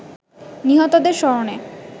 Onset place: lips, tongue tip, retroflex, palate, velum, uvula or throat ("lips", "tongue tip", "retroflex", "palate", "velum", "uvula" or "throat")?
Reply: tongue tip